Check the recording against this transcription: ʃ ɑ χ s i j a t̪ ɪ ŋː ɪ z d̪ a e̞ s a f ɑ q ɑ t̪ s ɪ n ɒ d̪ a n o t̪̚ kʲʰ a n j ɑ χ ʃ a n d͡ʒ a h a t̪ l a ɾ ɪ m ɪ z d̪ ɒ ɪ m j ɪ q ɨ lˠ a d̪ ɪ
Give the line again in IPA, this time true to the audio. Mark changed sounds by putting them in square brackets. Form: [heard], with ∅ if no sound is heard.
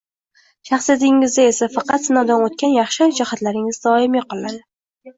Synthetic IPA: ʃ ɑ χ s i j a t̪ ɪ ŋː ɪ z d̪ a e̞ s a f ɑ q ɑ t̪ s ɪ n ɒ d̪ a n o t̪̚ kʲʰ a n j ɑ χ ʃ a n d͡ʒ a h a t̪ l a ɾ ɪ [ŋ] ɪ z d̪ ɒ ɪ m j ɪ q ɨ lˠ a d̪ ɪ